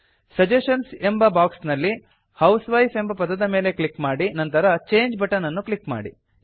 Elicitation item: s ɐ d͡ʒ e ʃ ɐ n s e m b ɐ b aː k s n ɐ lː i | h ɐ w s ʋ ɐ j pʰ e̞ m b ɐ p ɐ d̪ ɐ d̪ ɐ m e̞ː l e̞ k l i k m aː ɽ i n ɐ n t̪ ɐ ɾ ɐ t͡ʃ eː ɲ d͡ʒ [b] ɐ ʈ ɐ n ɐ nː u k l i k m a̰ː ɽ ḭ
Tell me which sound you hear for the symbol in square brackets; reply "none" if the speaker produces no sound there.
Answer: b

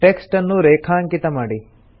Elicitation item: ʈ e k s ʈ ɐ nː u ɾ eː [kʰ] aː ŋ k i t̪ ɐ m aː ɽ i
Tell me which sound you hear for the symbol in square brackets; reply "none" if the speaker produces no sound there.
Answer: kʰ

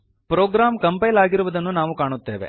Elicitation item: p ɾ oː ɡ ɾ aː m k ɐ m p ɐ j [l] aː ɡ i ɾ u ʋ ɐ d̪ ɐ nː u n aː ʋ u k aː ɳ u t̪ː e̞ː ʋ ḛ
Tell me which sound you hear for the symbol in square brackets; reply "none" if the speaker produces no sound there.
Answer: l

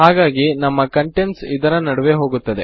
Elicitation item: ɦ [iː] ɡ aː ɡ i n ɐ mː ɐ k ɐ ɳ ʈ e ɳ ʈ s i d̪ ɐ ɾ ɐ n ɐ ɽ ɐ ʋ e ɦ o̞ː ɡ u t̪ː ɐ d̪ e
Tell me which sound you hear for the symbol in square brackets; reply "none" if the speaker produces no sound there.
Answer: aː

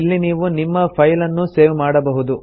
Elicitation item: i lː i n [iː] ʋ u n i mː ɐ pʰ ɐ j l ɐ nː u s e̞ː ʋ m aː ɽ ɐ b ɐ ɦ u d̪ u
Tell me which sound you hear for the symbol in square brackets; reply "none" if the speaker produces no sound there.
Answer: iː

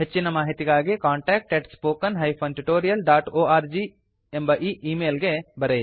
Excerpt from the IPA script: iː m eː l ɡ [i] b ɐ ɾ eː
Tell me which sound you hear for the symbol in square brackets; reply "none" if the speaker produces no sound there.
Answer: e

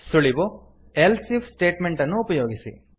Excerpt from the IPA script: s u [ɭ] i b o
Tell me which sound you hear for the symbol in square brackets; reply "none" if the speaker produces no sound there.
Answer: ɭ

